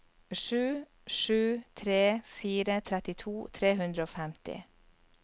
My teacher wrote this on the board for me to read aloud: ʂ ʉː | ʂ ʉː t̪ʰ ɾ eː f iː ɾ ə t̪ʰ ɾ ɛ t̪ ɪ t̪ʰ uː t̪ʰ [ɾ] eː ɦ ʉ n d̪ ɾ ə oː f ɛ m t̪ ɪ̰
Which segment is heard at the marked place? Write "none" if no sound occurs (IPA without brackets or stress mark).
ɾ